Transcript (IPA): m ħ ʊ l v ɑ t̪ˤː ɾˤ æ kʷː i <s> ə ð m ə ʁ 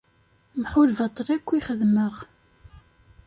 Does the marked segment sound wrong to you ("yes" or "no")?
yes